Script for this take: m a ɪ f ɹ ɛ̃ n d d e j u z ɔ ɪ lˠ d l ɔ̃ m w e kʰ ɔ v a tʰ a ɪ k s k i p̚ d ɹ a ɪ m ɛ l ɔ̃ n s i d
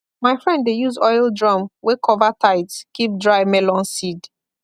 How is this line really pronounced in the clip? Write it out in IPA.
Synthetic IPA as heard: m a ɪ f ɹ ɛ̃ n d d e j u z ɔ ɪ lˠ d ɹ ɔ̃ m w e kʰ ɔ v a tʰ a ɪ t s k i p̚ d ɹ a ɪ m ɛ l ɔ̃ n s i d